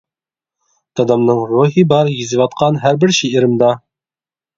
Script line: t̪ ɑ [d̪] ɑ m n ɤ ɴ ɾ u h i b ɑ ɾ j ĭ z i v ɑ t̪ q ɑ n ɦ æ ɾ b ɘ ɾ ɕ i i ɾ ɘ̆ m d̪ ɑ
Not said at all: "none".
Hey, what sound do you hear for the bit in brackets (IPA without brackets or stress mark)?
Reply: d̪